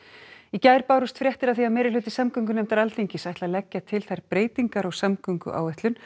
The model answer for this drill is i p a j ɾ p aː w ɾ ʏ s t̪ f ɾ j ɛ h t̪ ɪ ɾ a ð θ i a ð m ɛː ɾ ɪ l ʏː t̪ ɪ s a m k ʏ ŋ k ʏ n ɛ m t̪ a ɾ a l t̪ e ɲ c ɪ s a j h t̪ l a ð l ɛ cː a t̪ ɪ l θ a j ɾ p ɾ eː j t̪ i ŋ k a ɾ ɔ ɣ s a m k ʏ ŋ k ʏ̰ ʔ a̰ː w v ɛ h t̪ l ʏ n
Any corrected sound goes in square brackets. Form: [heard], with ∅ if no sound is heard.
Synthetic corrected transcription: i [c] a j ɾ p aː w ɾ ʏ s t̪ f ɾ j ɛ h t̪ ɪ ɾ a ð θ i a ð m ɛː ɾ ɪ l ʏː t̪ ɪ s a m k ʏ ŋ k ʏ n ɛ m t̪ a ɾ a l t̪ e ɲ c ɪ s a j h t̪ l a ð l ɛ cː a [t̪ʰ] ɪ l θ a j ɾ p ɾ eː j t̪ i ŋ k a ɾ ɔ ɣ s a m k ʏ ŋ k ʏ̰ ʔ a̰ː w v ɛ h t̪ l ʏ n